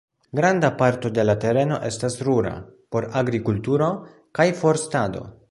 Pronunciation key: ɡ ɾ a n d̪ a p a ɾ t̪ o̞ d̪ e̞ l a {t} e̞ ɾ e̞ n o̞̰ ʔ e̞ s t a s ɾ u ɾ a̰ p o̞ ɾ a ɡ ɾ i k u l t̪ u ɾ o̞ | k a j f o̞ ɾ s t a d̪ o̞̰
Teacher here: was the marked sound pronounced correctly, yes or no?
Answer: yes